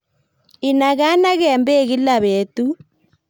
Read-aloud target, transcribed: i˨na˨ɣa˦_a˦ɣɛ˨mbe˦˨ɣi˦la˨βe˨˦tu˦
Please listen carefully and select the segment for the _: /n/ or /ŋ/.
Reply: n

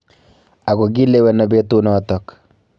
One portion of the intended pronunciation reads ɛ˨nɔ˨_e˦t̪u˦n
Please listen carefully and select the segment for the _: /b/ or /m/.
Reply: b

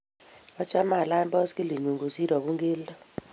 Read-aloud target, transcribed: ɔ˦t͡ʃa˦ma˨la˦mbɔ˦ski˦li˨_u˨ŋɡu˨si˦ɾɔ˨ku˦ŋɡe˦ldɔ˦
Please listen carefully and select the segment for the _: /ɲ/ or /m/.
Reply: ɲ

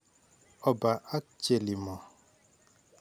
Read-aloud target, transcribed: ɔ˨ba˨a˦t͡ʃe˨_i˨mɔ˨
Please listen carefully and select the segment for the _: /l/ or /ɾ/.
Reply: l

